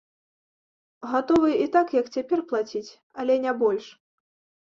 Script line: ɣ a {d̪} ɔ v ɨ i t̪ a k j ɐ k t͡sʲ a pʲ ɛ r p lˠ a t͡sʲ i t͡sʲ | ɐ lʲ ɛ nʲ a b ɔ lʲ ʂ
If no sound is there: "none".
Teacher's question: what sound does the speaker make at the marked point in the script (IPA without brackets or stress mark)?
t̪